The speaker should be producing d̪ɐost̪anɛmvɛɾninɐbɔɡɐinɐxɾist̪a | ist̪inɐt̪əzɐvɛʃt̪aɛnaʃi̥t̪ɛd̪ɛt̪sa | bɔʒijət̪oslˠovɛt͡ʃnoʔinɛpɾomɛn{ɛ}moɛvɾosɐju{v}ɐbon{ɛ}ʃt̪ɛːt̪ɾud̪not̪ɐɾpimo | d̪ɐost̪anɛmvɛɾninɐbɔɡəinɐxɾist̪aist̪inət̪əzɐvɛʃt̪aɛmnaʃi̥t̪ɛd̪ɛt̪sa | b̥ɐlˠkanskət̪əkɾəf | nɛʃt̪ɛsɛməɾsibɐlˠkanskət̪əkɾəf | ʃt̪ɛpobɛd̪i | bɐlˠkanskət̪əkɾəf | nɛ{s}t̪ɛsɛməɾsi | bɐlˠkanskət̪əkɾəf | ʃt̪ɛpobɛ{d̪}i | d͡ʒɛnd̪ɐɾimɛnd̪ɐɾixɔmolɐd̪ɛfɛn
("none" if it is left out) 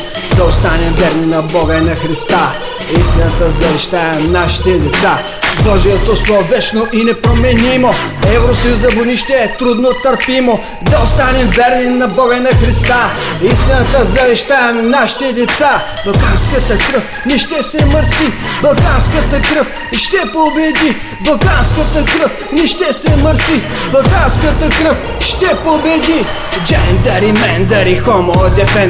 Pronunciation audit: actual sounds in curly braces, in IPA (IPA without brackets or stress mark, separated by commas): i, z, i, ʃ, d̪